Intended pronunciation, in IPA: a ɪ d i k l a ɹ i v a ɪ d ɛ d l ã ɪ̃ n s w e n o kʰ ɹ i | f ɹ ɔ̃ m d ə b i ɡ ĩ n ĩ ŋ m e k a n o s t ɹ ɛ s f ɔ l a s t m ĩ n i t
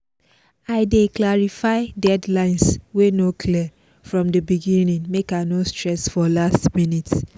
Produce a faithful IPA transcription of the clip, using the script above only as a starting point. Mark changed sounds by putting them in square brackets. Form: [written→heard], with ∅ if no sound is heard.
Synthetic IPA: a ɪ d [i→e] k l a ɹ i [v→f] a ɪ d ɛ d l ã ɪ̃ n s w e n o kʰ [ɹ→l] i | f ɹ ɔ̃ m d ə b i ɡ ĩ n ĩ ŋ m e k a n o s t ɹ ɛ s f ɔ l a s t m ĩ n i t